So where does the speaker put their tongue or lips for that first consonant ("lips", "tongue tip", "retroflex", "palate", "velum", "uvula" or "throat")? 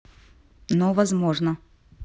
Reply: tongue tip